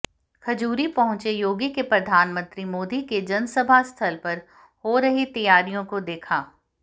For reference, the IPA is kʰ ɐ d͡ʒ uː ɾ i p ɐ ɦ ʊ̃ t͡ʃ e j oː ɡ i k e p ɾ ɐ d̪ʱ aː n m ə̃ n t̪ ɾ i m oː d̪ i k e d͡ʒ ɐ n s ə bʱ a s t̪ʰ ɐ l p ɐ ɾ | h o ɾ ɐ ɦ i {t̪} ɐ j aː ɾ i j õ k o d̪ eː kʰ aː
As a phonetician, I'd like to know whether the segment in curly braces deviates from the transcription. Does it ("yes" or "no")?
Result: no